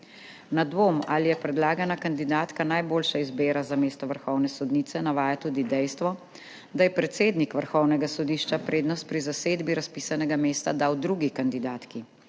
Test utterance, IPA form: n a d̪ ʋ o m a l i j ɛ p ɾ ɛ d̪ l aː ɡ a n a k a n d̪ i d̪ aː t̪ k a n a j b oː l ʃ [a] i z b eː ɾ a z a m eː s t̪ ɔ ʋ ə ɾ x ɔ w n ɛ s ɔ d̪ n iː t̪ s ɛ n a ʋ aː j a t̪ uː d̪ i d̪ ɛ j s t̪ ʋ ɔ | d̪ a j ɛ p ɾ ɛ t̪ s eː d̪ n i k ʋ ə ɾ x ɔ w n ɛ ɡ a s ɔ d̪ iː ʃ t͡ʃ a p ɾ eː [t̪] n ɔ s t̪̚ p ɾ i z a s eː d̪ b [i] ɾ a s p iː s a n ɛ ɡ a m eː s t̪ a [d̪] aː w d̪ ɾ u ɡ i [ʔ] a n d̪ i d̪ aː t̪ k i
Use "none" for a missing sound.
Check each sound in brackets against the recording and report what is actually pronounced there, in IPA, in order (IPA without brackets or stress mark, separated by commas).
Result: a, d̪, i, d̪, k